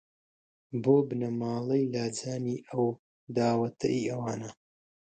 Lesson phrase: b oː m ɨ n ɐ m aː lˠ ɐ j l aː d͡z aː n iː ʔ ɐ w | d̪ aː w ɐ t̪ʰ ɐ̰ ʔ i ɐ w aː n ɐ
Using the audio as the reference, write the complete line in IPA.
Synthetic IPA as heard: b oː b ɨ n ɐ m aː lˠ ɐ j l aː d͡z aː n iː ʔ ɐ w | d̪ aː w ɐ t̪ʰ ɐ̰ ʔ i ɐ w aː n ɐ